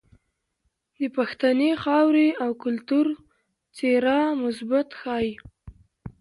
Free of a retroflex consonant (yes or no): yes